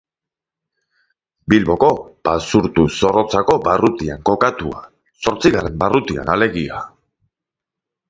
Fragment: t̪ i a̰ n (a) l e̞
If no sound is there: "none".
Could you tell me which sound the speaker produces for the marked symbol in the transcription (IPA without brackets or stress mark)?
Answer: a